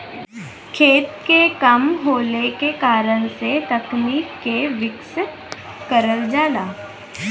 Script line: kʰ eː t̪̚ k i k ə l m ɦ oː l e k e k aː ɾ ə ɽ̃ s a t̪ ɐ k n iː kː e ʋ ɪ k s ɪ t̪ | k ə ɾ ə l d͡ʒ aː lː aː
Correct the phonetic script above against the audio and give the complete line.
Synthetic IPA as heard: kʰ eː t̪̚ k e k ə m ɦ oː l e k e k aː ɾ ə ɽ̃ s e t̪ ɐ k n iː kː e ʋ ɪ k s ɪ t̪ | k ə ɾ ə l d͡ʒ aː l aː